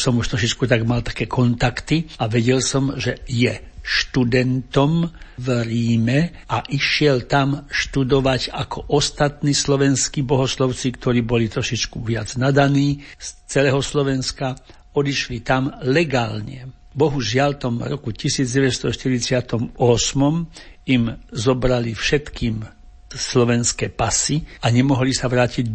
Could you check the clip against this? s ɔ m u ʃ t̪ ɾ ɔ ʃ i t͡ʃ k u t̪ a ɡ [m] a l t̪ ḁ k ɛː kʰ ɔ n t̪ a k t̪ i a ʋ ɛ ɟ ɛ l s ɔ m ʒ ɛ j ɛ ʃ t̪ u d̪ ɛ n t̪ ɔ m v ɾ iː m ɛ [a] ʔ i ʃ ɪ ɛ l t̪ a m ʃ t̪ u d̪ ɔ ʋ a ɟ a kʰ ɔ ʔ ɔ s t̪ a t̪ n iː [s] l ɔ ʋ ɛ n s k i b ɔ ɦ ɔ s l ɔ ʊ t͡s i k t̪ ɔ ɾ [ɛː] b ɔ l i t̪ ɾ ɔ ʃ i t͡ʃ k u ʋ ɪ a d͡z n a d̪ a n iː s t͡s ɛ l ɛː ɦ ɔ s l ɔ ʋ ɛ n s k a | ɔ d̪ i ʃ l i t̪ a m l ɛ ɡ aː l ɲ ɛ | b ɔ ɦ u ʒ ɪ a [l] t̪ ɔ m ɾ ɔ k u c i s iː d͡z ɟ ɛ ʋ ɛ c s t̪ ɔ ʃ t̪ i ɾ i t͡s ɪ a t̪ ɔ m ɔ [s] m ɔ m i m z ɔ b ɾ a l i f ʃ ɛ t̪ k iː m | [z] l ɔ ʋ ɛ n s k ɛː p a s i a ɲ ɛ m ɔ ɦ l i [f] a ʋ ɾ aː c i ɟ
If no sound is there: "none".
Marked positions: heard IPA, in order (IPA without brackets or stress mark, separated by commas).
m, a, s, iː, l, s, s, s